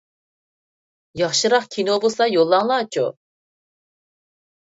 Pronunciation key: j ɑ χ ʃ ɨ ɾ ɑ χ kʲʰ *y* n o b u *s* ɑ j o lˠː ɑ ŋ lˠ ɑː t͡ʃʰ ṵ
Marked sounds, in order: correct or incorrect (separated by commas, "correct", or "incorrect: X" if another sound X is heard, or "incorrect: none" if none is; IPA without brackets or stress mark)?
incorrect: i, correct